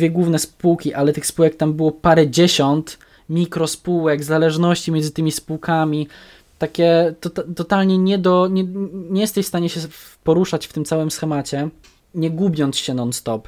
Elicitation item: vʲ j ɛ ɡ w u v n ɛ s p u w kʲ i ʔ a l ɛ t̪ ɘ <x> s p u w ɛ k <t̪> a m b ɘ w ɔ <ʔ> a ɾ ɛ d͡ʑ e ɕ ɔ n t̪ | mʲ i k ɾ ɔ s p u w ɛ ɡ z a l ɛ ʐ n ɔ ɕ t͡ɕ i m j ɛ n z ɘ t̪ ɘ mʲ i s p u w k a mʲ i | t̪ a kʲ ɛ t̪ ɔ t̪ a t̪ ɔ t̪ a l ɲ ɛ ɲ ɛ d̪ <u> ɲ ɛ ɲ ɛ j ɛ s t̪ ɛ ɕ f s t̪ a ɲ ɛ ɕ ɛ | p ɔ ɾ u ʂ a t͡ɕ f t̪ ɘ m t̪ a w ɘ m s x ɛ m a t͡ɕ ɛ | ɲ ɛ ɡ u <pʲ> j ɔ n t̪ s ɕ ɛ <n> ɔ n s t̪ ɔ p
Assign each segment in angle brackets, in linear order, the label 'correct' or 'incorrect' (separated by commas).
correct, correct, incorrect, incorrect, incorrect, correct